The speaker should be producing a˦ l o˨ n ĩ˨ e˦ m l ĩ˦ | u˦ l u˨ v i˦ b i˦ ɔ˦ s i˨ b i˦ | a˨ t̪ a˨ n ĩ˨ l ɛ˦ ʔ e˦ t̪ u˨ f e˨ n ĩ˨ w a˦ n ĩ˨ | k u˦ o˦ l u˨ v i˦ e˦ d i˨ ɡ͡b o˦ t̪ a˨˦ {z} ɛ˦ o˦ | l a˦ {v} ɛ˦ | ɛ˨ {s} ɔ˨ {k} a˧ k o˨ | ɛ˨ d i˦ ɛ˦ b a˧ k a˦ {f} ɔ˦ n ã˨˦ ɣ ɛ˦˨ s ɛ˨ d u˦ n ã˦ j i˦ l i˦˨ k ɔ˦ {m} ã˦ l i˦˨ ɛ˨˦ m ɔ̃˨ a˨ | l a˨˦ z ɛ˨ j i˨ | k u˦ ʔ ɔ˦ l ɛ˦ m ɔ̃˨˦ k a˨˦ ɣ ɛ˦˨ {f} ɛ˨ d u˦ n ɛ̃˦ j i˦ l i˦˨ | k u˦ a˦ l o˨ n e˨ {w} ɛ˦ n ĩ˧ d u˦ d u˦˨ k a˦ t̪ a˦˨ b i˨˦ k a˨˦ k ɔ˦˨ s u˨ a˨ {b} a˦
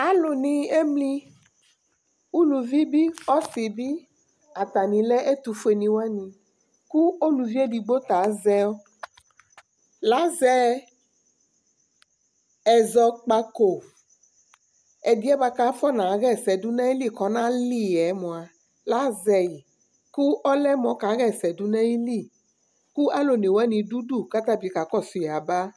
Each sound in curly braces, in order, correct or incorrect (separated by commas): correct, incorrect, incorrect, incorrect, correct, incorrect, incorrect, correct, correct